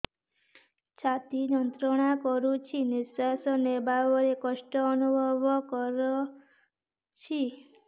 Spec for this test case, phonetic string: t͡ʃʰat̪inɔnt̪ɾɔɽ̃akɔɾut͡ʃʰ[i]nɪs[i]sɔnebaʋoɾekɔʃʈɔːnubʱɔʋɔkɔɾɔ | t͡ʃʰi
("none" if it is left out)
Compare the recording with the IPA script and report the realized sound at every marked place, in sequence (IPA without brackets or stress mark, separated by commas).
i, a